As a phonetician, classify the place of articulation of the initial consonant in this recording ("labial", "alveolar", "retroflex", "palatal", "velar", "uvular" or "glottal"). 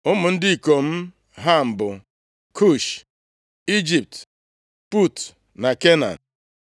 labial